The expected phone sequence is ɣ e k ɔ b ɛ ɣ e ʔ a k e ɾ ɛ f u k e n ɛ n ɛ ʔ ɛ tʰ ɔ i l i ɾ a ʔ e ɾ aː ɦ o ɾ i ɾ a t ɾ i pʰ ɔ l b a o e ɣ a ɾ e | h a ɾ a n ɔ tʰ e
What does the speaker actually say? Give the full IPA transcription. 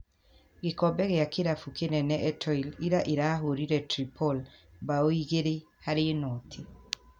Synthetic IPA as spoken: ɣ e k ɔ b ɛ ɣ e a k e ɾ a f u k e n ɛ n ɛ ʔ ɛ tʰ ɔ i l i ɾ a ʔ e ɾ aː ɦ o ɾ i ɾ ɛ t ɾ i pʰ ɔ l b a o i ɣ e ɾ e | h a ɾ e n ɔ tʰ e